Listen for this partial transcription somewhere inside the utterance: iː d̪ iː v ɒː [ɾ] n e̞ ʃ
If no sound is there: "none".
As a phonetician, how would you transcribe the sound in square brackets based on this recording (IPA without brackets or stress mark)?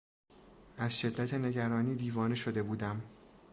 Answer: none